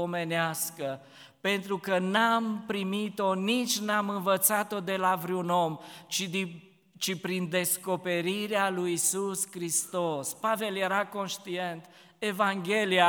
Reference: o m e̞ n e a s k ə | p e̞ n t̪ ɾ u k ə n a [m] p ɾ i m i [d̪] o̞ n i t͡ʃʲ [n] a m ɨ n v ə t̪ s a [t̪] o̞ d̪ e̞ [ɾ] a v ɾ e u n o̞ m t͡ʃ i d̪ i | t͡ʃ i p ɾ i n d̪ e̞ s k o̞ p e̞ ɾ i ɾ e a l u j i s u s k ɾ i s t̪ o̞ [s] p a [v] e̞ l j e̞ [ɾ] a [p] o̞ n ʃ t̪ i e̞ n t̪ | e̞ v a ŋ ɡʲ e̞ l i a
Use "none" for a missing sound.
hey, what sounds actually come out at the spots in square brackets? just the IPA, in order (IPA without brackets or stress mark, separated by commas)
m, t̪, n, t̪, l, s, v, ɾ, k